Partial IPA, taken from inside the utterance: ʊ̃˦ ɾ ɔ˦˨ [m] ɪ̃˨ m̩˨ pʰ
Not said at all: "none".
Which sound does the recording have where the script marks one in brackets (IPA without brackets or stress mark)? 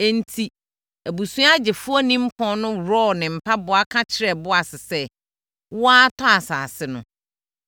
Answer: n